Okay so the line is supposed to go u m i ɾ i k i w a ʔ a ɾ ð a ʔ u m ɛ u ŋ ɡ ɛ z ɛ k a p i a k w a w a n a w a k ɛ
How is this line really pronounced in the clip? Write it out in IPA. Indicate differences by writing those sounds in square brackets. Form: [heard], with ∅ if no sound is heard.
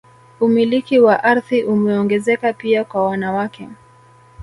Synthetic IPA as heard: u m i [l] i k i w a ʔ a ɾ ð [i] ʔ u m ɛ [ɔ] ŋ ɡ ɛ z ɛ k a p i a k w a w a n a w a k ɛ